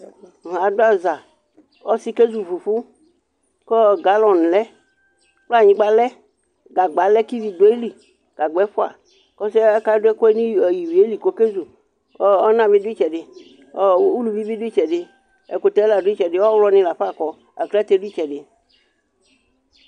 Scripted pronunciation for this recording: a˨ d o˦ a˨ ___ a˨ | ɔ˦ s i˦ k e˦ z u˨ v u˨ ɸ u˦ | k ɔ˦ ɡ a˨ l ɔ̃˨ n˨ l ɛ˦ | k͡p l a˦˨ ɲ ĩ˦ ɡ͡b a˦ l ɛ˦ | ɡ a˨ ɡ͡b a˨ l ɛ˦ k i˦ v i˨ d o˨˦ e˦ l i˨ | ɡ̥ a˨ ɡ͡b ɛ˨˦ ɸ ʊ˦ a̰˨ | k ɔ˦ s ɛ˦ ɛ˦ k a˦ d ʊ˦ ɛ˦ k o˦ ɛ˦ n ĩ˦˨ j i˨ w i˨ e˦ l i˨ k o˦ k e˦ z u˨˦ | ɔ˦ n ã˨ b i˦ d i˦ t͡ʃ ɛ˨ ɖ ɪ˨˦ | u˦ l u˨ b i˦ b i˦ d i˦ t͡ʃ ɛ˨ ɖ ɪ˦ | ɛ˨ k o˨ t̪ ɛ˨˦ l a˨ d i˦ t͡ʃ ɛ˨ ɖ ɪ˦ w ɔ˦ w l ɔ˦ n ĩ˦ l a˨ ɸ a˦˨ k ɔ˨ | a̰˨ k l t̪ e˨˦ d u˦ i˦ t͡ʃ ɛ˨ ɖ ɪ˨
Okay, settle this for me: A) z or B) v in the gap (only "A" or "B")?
A